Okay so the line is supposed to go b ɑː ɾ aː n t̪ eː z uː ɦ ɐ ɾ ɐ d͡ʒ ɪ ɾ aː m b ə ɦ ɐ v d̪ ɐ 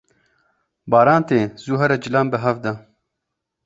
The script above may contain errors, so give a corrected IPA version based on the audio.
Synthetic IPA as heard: b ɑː ɾ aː n t̪ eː z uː ɦ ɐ ɾ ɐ d͡ʒ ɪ l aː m b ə ɦ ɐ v d̪ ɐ